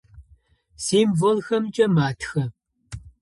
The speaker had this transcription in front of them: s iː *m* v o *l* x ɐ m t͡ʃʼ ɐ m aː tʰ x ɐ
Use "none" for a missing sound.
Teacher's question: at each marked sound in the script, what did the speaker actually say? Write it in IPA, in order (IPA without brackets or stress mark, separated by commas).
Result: m, l